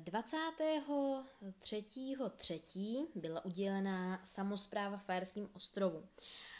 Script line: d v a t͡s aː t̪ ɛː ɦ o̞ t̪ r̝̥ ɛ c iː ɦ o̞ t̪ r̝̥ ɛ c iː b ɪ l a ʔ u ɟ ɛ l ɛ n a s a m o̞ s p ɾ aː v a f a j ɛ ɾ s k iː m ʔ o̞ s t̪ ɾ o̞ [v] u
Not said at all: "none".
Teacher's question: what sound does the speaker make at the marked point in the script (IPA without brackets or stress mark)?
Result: v